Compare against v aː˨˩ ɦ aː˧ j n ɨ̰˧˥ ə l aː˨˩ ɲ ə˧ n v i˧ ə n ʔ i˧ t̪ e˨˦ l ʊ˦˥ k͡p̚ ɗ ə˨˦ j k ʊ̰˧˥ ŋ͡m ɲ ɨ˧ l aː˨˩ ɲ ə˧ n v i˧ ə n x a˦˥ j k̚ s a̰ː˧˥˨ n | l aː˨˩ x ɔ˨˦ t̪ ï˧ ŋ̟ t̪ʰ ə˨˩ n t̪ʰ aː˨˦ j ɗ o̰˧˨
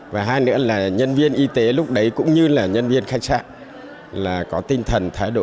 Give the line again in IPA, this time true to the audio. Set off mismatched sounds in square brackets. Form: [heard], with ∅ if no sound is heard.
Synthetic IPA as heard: v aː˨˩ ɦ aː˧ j n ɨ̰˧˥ ə l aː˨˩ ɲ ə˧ n v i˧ ə n ʔ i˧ t̪ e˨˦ l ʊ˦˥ k͡p̚ ɗ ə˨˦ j k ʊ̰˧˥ ŋ͡m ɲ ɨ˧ l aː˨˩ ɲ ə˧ n v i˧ ə n x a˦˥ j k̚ s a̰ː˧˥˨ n | l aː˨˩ [k] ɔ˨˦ t̪ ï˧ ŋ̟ t̪ʰ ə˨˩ n t̪ʰ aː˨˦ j ɗ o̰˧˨

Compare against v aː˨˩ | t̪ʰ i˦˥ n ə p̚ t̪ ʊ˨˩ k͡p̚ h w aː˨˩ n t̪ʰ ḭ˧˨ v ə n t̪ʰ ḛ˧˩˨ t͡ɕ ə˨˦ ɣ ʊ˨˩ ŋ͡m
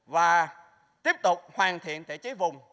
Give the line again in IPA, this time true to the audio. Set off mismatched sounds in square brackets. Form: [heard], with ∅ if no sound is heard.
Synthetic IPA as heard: v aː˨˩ | [t̪] i˦˥ [∅] ə p̚ t̪ ʊ˨˩ k͡p̚ h w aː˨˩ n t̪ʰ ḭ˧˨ [∅] ə n t̪ʰ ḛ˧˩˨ t͡ɕ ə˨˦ [v] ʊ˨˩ ŋ͡m

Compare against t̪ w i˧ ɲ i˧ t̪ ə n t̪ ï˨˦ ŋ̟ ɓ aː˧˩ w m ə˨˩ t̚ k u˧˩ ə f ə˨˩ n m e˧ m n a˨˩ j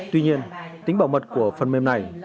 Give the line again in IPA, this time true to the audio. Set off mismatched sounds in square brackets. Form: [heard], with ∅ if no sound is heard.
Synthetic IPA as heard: t̪ w i˧ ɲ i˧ [∅] ə n t̪ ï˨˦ ŋ̟ ɓ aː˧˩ w m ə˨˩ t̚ k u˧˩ ə f ə˨˩ n m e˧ m n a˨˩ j

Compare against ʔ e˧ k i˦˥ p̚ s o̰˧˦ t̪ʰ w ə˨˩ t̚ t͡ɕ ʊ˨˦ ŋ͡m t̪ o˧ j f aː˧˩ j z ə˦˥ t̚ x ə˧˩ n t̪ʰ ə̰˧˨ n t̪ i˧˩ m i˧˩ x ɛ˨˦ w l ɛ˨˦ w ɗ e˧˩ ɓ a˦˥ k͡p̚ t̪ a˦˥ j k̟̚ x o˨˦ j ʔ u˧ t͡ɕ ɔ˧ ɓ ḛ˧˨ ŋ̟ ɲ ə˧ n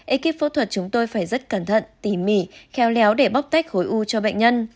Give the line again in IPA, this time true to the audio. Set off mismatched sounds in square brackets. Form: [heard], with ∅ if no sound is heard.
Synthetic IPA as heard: ʔ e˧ k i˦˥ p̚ [f] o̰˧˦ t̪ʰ w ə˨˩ t̚ t͡ɕ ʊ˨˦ ŋ͡m t̪ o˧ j f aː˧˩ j z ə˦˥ t̚ [k] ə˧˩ n t̪ʰ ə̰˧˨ n t̪ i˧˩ m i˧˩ x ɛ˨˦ w l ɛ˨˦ w ɗ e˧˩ ɓ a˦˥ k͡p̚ t̪ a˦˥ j k̟̚ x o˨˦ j ʔ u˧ t͡ɕ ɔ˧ ɓ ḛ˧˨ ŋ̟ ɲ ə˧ n

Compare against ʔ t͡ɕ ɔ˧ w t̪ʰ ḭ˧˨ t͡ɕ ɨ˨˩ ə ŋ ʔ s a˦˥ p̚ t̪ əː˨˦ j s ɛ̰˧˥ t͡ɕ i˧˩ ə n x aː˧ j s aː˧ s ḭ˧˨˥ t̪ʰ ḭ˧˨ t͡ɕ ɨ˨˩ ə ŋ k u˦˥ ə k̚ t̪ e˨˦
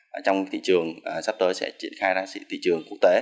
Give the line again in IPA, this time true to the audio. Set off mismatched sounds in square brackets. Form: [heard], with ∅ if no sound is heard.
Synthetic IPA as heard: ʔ t͡ɕ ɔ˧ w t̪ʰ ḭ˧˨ t͡ɕ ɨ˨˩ ə ŋ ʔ s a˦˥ p̚ t̪ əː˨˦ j s ɛ̰˧˥ t͡ɕ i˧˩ ə n x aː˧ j [z] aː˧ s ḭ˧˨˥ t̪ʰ ḭ˧˨ t͡ɕ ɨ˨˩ ə ŋ k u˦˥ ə k̚ t̪ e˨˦

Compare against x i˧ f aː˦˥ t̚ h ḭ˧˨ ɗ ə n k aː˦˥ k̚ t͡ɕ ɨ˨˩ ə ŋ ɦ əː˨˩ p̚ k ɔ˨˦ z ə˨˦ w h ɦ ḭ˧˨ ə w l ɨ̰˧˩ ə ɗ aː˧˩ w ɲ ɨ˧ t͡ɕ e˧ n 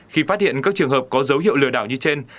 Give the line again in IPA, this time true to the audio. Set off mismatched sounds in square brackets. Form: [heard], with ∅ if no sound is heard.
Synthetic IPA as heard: x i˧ f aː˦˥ t̚ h ḭ˧˨ [∅] ə n k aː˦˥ k̚ t͡ɕ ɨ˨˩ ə ŋ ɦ əː˨˩ p̚ k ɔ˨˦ z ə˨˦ w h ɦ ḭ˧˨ ə w l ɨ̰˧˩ ə ɗ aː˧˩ w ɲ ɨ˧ t͡ɕ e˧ n

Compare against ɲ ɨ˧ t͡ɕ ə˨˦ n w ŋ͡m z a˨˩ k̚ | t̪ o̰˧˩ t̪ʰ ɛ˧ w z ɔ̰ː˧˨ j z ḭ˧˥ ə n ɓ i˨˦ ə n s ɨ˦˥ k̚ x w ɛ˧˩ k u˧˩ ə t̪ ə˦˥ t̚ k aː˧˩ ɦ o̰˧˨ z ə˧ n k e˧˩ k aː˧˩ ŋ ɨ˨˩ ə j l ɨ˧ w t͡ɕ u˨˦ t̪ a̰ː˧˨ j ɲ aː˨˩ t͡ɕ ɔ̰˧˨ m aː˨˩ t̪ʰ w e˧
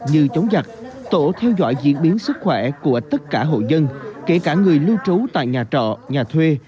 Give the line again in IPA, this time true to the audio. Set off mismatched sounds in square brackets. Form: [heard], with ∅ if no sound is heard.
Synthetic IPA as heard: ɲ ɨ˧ t͡ɕ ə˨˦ [∅] w ŋ͡m z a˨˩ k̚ | t̪ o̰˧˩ t̪ʰ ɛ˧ w z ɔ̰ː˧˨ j z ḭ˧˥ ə n ɓ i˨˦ ə n s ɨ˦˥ k̚ x w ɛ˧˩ k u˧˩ ə t̪ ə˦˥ t̚ k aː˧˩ ɦ o̰˧˨ z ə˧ n k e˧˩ k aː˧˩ ŋ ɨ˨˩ ə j l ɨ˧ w t͡ɕ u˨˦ t̪ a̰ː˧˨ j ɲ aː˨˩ t͡ɕ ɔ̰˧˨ [ɲ] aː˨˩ t̪ʰ w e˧

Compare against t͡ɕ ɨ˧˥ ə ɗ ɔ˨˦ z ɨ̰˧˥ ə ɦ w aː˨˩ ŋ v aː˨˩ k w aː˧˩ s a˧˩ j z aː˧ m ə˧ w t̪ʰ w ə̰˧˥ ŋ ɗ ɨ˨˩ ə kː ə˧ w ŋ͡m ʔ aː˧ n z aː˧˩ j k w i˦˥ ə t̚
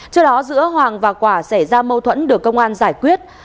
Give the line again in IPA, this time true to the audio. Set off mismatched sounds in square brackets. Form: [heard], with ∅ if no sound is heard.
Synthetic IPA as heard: t͡ɕ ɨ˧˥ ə ɗ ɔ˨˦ z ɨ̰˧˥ ə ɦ w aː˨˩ ŋ v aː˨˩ k w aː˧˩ s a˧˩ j z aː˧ m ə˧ w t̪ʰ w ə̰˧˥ [n] ɗ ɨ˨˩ ə kː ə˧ w ŋ͡m ʔ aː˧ n z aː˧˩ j k w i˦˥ ə t̚

